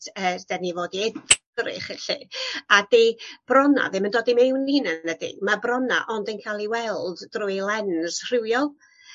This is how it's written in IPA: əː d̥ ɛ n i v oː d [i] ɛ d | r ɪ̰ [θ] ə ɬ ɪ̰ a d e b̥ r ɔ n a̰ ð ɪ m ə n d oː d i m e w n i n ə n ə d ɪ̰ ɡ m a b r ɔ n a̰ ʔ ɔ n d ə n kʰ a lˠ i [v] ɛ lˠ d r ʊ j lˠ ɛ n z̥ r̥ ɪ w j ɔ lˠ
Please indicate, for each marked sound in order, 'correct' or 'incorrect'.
correct, incorrect: χ, incorrect: w

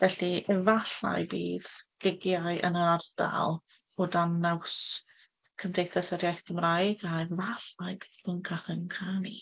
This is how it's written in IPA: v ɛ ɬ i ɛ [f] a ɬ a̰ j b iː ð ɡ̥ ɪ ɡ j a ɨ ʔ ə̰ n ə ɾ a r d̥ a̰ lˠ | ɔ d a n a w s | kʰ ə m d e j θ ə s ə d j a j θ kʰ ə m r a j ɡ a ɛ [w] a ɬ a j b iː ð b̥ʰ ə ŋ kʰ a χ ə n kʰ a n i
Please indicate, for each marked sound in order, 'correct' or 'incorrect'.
incorrect: v, incorrect: v

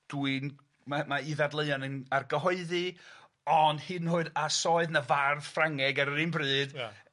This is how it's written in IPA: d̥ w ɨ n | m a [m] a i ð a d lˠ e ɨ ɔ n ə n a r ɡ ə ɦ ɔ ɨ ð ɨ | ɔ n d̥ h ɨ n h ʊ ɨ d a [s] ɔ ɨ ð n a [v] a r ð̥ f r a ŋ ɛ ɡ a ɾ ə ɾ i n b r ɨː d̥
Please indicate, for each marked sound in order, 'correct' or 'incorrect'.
correct, correct, correct

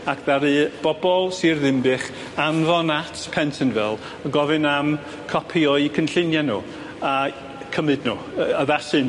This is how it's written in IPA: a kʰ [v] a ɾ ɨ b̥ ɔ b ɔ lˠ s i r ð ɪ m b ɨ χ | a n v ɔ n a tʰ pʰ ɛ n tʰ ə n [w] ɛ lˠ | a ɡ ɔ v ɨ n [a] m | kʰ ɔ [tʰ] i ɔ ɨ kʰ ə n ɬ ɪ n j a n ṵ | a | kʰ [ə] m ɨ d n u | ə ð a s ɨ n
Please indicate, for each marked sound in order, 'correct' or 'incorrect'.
incorrect: ð, incorrect: v, correct, incorrect: pʰ, correct

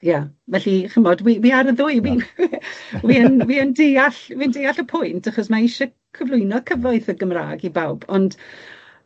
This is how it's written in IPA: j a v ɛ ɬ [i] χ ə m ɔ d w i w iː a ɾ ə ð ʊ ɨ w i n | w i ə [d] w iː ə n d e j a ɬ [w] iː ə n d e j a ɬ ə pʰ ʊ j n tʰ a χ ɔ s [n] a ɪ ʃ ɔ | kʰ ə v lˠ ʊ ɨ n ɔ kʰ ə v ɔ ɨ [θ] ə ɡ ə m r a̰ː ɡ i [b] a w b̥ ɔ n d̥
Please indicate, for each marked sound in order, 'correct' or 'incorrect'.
correct, incorrect: n, correct, incorrect: m, correct, correct

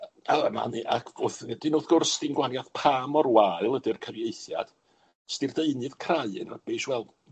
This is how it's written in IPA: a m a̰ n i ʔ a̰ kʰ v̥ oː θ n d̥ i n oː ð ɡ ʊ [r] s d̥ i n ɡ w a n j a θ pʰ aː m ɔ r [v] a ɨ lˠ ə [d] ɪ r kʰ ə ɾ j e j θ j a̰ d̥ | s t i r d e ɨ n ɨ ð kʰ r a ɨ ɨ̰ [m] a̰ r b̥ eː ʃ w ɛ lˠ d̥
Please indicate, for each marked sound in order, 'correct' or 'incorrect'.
correct, incorrect: w, correct, incorrect: n

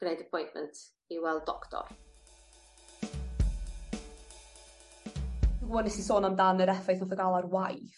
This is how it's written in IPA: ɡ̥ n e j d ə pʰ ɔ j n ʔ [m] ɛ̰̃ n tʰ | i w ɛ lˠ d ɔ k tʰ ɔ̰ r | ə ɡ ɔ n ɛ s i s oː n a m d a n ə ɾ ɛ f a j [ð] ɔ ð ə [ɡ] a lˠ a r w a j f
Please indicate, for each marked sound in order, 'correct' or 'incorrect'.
correct, incorrect: θ, correct

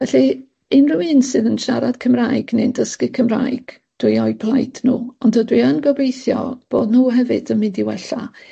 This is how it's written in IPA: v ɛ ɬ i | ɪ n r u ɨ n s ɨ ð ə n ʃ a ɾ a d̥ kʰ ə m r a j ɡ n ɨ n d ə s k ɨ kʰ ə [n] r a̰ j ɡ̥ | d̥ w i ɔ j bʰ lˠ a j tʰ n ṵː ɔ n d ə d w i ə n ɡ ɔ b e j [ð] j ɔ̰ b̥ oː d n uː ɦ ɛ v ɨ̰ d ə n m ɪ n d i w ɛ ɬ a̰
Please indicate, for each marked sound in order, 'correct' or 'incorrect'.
incorrect: m, incorrect: θ

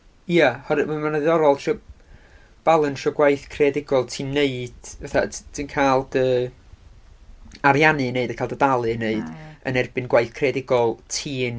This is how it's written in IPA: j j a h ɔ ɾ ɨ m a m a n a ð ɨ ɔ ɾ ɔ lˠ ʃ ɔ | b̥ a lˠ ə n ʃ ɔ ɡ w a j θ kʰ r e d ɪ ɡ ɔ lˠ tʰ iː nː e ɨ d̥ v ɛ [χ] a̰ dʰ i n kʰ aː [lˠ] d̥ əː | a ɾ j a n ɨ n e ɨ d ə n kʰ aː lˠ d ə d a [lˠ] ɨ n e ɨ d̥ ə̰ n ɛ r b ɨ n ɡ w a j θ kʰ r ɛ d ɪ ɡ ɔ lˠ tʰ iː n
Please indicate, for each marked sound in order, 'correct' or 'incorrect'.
incorrect: θ, correct, correct

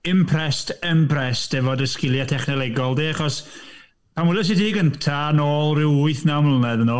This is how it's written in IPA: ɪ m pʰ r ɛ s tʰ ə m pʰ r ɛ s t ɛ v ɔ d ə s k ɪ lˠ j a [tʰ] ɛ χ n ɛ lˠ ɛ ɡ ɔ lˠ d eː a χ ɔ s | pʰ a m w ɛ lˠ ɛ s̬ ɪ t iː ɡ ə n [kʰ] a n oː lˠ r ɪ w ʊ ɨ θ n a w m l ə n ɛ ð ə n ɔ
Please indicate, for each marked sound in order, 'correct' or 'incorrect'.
correct, incorrect: tʰ

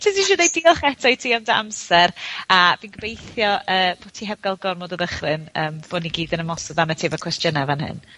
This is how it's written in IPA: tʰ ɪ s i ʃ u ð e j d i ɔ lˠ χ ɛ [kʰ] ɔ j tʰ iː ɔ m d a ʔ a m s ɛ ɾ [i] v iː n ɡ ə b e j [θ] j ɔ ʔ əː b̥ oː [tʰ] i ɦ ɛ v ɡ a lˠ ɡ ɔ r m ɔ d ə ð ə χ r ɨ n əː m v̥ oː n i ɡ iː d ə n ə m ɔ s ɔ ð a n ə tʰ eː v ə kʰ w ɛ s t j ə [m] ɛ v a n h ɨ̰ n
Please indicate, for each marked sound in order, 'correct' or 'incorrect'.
incorrect: tʰ, incorrect: a, correct, correct, incorrect: n

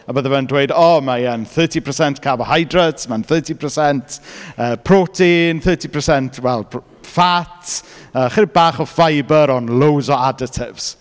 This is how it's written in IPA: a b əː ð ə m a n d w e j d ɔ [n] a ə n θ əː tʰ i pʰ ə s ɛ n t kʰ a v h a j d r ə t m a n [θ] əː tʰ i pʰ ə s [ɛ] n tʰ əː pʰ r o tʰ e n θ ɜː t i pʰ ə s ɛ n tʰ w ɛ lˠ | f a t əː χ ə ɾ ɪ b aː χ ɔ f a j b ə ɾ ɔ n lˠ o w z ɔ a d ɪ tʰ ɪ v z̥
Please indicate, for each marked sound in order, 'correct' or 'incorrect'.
incorrect: m, correct, correct

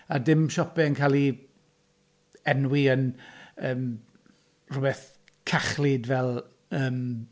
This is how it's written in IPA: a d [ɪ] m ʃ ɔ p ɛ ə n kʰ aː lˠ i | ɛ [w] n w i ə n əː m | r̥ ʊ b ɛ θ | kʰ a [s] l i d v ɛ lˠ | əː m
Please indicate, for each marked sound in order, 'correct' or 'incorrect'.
correct, incorrect: none, incorrect: χ

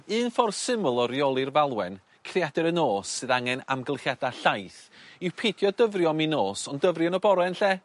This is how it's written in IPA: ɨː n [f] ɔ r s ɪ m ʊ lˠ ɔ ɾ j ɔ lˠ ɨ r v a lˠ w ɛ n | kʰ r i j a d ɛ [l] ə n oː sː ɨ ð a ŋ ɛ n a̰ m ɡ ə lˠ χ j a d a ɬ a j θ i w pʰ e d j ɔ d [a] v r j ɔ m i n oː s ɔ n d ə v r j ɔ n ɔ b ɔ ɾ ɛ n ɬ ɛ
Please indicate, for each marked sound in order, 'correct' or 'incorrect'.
correct, incorrect: ɾ, incorrect: ə

